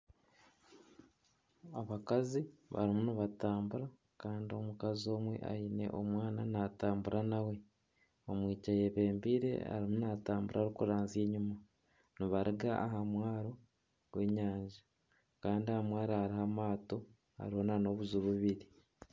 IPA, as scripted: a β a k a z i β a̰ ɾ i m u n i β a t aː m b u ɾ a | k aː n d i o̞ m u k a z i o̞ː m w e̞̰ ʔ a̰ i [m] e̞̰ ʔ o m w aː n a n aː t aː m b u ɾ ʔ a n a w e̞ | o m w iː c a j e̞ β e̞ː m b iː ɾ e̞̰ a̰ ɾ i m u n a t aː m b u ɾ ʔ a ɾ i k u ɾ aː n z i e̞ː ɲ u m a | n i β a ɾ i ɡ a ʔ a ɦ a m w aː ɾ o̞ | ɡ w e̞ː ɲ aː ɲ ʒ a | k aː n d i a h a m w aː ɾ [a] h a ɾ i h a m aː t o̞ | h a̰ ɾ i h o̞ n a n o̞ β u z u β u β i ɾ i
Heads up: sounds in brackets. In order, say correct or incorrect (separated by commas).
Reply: incorrect, correct